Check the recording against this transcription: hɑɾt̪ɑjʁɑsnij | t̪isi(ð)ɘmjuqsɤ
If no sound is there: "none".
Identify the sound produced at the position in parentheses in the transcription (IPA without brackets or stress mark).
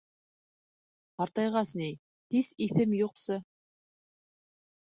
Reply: θ